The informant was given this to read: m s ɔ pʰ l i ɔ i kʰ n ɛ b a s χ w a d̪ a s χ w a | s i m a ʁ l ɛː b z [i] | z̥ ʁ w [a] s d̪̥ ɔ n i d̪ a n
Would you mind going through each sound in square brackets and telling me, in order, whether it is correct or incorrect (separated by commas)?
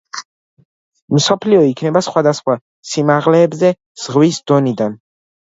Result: incorrect, incorrect